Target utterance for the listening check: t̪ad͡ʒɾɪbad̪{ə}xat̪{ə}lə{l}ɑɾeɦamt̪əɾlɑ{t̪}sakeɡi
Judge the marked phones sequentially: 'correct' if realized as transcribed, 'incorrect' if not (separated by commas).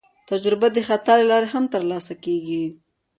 correct, incorrect, correct, incorrect